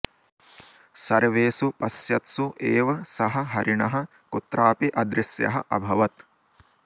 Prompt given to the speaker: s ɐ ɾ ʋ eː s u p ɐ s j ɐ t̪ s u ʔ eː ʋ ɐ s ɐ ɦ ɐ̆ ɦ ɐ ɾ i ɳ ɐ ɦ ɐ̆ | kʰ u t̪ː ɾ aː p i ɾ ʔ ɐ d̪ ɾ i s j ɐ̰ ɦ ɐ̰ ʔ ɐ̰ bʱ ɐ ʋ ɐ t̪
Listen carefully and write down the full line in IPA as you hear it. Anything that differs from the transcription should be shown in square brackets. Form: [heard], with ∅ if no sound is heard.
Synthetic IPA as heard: s ɐ ɾ ʋ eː s u p ɐ s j ɐ t̪ s u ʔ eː ʋ ɐ s ɐ ɦ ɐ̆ ɦ ɐ ɾ i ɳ ɐ ɦ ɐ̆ | [k] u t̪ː ɾ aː p i [∅] ʔ ɐ d̪ ɾ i s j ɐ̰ ɦ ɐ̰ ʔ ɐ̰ bʱ ɐ ʋ ɐ t̪